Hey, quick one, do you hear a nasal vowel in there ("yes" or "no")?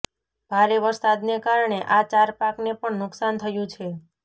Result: yes